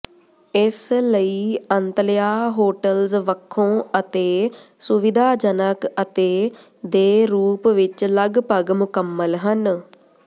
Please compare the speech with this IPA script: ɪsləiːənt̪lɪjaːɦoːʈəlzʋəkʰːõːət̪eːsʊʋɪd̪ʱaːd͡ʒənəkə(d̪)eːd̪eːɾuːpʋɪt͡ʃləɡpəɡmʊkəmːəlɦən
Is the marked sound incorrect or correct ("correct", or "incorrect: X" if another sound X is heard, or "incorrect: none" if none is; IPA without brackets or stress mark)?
incorrect: t̪